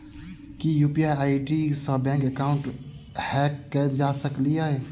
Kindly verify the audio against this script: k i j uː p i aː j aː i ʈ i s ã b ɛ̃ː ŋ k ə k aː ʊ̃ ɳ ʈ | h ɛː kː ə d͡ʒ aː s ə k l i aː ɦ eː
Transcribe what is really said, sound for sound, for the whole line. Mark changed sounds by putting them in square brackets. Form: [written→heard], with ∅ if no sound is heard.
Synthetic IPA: k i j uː p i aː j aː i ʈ i s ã b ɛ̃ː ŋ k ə k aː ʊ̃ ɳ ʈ | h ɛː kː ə d͡ʒ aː s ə k l i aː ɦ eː

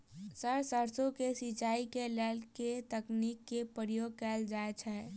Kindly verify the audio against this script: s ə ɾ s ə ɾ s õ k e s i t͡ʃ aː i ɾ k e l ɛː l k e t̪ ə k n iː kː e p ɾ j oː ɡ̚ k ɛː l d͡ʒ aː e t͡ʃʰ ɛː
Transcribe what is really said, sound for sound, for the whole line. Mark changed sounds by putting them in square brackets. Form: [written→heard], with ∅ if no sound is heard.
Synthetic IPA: s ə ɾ s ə ɾ s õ k e s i t͡ʃ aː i [ɾ→∅] k e l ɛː l k e t̪ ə k n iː kː e p ɾ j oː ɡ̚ k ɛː l d͡ʒ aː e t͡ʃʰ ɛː

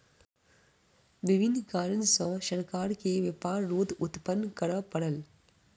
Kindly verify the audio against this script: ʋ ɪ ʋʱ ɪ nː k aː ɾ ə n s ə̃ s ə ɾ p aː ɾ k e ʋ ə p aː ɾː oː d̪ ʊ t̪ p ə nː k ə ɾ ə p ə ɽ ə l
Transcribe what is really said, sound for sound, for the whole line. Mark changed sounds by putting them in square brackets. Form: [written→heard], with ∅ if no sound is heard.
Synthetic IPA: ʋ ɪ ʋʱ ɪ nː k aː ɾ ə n s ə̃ [s→ʃ] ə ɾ [p→k] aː ɾ k e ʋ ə p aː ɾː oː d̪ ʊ t̪ p ə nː k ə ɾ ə p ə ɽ ə l

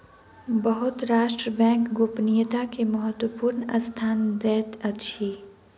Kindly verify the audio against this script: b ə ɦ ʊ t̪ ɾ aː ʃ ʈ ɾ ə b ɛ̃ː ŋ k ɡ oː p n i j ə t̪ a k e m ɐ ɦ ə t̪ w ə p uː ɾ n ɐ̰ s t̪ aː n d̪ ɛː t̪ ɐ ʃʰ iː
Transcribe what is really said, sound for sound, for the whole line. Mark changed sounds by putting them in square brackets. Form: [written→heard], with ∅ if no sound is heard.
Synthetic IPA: b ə ɦ ʊ t̪ ɾ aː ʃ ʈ ɾ ə b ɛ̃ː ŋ k ɡ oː p n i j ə t̪ a k e m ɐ ɦ ə t̪ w ə p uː ɾ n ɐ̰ s [t̪→t̪ʰ] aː n d̪ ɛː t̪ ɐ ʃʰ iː

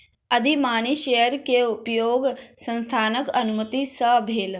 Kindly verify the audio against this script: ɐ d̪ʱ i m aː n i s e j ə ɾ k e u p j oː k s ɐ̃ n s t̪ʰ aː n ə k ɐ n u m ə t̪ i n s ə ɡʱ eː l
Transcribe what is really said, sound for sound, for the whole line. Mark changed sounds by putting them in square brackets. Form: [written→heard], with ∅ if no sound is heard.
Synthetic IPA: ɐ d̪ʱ i m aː n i [s→ʃ] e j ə ɾ k e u p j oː [k→ɡ] s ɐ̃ n s t̪ʰ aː n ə k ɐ n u m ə t̪ i [n→∅] s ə [ɡʱ→bʱ] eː l

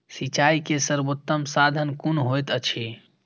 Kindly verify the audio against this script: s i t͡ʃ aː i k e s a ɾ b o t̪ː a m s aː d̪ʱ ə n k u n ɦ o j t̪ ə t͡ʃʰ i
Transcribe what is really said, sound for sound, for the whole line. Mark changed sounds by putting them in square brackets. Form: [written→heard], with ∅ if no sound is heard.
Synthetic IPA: s i t͡ʃ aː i k e s [a→ə] ɾ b o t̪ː [a→ə] m s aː d̪ʱ ə n k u n ɦ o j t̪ ə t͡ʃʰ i

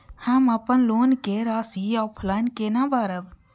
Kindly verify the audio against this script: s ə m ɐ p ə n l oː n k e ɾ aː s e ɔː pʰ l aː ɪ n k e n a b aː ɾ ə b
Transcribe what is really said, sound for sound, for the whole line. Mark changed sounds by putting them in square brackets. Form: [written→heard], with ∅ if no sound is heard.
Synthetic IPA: [s→h] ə m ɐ p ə n l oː n k e ɾ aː s [e→i] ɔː pʰ l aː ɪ n k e n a b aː ɾ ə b

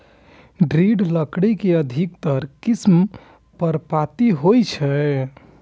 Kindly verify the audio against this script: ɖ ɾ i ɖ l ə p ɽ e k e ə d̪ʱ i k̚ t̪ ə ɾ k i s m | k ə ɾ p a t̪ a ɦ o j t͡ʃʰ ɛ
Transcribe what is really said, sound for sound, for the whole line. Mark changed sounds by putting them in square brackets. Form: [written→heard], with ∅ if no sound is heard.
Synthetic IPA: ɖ ɾ i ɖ l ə [p→k] ɽ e k e ə d̪ʱ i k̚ t̪ ə ɾ k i s m | [k→p] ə ɾ p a t̪ [a→i] ɦ o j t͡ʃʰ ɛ

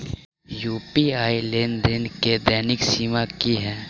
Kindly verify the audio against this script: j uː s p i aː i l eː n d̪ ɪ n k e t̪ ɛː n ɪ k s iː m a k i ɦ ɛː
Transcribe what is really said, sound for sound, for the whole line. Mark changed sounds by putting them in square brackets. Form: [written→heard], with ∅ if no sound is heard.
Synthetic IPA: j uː [s→∅] p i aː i l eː n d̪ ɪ n k e [t̪→d̪] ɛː n ɪ k s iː m a k i ɦ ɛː

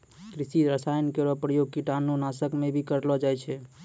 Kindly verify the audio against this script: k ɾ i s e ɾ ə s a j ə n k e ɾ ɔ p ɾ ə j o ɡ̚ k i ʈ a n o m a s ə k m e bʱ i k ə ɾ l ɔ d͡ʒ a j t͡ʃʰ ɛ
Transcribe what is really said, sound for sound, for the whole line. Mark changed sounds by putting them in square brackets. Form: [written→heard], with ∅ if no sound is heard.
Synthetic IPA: k ɾ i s [e→i] ɾ ə s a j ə n k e ɾ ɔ p ɾ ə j o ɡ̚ k i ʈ a n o [m→n] a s ə k m e bʱ i k ə ɾ l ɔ d͡ʒ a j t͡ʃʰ ɛ

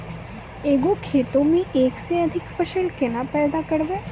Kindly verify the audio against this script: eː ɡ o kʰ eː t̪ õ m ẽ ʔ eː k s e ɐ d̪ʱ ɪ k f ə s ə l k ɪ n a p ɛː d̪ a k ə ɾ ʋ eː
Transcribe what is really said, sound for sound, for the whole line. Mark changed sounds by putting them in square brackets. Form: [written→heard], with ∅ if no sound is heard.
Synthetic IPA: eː ɡ o kʰ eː t̪ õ m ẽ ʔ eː k s e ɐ d̪ʱ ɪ k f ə [s→ʃ] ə l k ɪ n a p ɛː d̪ a k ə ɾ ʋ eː

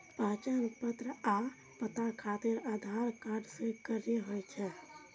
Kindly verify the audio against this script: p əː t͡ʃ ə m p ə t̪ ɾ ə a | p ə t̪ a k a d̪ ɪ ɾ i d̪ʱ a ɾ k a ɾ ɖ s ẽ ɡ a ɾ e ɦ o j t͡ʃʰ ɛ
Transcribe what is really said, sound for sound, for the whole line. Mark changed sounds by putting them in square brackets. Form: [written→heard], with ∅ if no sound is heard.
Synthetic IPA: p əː t͡ʃ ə [m→n] p ə t̪ ɾ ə a | p ə t̪ a [k→kʰ] a [d̪→t̪] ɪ ɾ [i→a] d̪ʱ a ɾ k a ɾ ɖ s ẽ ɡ [a→ə] ɾ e ɦ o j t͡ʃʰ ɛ

